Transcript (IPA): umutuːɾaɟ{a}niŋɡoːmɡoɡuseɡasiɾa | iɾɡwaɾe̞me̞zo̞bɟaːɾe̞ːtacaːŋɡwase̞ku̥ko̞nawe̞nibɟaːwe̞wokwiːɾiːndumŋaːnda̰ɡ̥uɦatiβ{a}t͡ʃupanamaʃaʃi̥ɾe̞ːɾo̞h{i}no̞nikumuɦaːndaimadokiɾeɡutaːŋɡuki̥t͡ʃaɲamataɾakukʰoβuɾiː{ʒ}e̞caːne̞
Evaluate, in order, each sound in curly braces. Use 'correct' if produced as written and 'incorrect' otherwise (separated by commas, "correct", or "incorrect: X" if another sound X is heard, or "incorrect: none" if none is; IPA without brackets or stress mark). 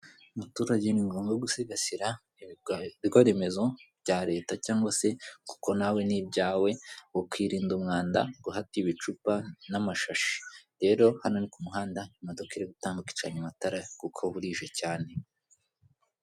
incorrect: e, incorrect: i, incorrect: a, correct